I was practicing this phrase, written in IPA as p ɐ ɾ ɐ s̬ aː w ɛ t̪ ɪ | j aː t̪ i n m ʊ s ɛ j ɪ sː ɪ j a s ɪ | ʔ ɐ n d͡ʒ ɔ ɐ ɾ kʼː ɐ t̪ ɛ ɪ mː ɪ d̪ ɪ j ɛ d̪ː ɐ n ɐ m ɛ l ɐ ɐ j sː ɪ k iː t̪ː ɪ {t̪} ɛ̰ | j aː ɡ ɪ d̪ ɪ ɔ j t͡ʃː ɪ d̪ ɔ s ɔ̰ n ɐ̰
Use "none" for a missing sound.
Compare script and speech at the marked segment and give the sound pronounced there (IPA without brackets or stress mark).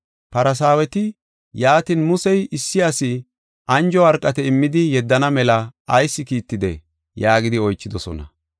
d̪